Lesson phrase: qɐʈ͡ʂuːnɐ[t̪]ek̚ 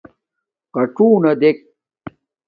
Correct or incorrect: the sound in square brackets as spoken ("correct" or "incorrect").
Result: incorrect